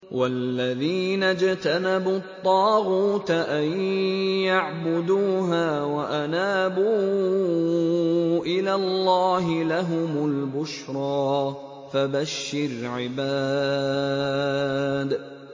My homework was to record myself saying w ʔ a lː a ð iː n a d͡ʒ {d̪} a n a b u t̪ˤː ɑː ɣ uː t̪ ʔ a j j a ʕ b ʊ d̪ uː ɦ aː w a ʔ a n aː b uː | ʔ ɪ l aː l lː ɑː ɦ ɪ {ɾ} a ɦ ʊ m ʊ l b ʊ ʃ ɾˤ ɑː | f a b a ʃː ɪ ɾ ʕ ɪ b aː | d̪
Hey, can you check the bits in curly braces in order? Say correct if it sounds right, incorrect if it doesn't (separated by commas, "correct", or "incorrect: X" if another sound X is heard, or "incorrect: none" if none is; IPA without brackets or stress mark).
incorrect: t̪, incorrect: l